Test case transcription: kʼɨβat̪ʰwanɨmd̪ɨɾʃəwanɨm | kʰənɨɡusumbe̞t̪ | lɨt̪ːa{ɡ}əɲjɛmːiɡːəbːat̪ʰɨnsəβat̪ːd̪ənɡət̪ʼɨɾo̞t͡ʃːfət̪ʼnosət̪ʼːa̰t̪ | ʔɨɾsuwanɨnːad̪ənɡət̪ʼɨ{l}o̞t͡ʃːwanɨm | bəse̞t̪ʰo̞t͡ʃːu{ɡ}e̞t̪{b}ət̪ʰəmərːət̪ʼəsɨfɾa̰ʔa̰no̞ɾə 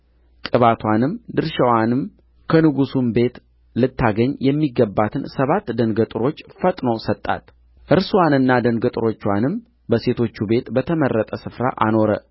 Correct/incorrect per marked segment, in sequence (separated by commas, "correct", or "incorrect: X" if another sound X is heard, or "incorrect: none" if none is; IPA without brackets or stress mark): correct, incorrect: ɾ, incorrect: b, correct